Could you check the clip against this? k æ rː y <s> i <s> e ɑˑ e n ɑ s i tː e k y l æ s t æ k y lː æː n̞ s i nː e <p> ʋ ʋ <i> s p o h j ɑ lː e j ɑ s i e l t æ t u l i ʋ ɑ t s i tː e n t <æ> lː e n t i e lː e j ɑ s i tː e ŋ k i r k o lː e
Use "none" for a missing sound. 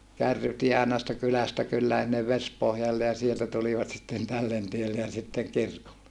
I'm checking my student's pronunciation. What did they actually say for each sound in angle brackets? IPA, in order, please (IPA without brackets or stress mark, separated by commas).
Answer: t, none, none, e, æ